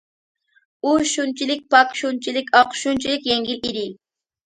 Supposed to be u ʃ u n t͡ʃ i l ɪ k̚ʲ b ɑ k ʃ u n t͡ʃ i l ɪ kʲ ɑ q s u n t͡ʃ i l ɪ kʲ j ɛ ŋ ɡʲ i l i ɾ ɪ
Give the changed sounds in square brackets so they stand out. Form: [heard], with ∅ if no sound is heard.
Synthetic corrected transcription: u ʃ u n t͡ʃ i l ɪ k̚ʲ [p] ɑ k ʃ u n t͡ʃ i l ɪ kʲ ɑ q [ʃ] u n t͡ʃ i l ɪ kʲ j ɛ ŋ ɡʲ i l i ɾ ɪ